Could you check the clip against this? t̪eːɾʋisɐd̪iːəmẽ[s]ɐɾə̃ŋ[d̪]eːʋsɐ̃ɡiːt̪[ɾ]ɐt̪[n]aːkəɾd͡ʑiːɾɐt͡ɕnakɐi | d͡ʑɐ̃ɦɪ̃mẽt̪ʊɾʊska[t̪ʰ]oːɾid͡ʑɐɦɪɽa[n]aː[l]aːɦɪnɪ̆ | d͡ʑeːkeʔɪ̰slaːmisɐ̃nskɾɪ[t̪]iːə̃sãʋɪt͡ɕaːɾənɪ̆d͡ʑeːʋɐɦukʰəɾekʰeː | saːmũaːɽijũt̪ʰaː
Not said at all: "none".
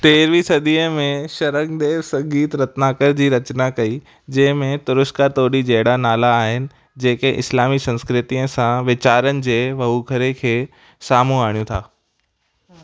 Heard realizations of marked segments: ʃ, d̪, ɾ, n, t̪, n, l, t̪

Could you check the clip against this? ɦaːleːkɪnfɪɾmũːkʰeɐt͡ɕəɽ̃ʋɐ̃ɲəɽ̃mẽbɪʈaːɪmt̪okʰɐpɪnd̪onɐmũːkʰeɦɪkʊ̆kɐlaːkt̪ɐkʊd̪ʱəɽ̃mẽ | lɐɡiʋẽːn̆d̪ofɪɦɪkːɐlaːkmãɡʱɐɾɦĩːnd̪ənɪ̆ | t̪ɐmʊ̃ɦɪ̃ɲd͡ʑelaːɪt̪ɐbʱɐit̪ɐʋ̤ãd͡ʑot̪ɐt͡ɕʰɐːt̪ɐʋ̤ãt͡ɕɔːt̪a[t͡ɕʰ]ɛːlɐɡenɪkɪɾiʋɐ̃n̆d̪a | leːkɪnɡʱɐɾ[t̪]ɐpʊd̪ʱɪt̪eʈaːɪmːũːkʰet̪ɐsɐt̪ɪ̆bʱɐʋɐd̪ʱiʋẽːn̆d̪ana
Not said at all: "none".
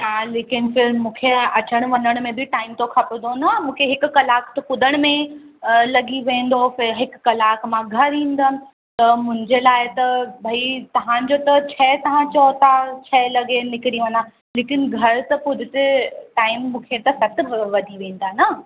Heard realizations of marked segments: t͡ɕʰ, t̪

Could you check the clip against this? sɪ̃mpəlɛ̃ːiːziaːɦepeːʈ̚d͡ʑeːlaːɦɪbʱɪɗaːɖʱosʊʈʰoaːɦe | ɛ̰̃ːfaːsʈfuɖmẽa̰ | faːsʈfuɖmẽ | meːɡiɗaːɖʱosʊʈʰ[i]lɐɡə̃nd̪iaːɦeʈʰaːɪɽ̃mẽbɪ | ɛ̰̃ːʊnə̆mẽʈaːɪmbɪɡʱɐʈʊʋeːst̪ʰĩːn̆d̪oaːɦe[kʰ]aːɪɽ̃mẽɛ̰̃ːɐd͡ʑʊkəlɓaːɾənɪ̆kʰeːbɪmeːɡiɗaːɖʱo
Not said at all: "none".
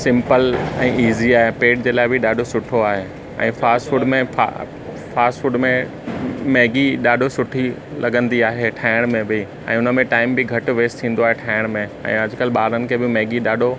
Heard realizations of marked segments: i, ʈʰ

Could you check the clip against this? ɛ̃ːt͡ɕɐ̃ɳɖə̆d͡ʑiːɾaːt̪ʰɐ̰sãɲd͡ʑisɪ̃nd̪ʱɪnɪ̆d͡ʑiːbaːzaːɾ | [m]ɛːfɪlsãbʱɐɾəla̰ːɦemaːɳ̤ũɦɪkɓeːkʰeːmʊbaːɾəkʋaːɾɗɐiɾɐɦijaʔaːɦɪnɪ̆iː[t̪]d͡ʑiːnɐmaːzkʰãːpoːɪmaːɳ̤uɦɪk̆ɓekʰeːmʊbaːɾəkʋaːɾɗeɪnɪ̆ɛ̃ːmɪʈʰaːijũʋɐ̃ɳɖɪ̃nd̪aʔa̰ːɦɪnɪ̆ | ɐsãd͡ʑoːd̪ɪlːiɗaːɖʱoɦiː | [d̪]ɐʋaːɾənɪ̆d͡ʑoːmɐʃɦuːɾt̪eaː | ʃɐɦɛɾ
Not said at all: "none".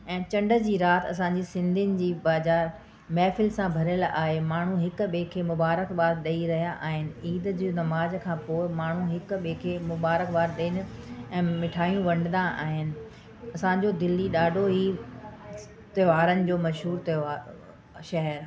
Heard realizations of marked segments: m, d̪, t̪

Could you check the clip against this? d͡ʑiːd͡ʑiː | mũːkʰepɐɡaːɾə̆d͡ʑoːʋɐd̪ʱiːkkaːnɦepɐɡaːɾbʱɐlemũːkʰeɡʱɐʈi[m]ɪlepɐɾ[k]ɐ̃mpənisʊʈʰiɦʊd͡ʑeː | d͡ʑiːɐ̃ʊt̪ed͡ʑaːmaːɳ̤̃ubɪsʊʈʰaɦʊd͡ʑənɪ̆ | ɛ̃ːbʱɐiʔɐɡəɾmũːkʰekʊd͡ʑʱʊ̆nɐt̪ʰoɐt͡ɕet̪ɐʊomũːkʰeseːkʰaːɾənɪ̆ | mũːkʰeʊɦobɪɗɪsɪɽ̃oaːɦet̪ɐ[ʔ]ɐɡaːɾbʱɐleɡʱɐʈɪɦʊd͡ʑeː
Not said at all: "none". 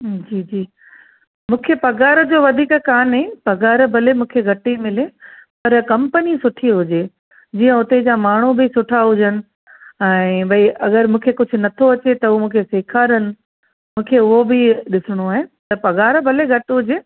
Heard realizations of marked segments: m, k, p

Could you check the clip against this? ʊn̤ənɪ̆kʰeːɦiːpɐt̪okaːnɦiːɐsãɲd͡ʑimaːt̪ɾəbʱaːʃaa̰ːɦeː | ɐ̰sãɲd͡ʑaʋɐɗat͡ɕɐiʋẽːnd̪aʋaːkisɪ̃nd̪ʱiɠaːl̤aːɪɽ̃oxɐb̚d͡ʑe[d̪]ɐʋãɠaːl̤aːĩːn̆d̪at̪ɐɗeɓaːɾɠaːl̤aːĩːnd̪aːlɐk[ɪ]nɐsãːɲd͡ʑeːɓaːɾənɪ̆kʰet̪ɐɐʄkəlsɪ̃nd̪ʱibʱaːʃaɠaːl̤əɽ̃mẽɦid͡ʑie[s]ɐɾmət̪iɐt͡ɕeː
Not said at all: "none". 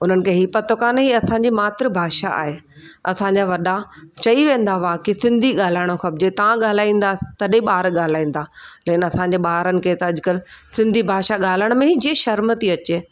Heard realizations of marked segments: t̪, ɪ, ʃ

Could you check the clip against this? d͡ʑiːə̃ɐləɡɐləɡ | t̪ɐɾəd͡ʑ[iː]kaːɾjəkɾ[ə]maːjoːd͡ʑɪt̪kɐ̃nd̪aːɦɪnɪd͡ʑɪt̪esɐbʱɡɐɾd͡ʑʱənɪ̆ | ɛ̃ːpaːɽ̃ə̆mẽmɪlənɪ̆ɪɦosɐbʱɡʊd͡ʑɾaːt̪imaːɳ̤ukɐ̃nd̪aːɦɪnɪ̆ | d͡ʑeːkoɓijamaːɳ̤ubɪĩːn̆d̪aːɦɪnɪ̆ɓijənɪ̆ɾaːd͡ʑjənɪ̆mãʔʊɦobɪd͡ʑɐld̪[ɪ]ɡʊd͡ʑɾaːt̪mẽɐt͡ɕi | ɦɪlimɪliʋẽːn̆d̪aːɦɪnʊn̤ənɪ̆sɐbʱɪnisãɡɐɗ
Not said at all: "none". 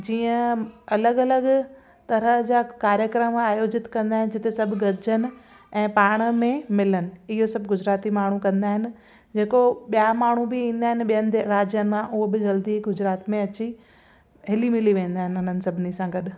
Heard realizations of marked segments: aː, ə, i

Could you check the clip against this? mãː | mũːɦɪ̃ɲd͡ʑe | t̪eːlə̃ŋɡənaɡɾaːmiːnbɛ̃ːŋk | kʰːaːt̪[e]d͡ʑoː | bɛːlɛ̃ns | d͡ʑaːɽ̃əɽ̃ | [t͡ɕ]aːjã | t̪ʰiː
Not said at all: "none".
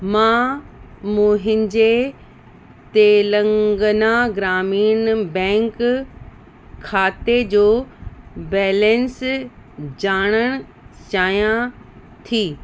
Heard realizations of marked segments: e, t͡ɕ

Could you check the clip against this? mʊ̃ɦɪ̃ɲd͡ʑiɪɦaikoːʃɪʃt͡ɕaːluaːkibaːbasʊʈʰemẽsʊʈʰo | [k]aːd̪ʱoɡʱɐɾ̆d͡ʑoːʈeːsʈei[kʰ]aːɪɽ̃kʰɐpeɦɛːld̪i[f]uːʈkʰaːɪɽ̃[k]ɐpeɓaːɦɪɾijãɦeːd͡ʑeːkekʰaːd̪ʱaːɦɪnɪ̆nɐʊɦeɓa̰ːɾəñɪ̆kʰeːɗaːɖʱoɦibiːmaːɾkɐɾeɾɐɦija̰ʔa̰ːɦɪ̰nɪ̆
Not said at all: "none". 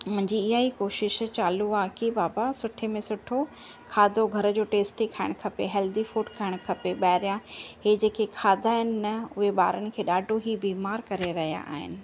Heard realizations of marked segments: kʰ, kʰ, f, kʰ

